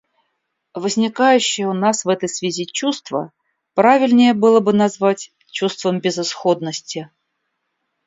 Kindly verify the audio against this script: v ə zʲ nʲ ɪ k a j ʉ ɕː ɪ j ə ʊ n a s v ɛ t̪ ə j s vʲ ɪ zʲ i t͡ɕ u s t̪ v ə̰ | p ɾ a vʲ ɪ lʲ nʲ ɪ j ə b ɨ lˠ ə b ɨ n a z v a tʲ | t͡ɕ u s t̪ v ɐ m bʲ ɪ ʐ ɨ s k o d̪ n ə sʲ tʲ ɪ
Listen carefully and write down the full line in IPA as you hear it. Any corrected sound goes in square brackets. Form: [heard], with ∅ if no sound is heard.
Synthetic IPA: v ə zʲ nʲ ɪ k a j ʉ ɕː ɪ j ə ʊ n a s v ɛ t̪ ə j s vʲ ɪ zʲ i t͡ɕ u s t̪ v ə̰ | p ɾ a vʲ ɪ lʲ nʲ ɪ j ə b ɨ lˠ ə b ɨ n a z v a tʲ | t͡ɕ u s t̪ v [ə] m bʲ ɪ [z] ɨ s [x] o d̪ n ə sʲ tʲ ɪ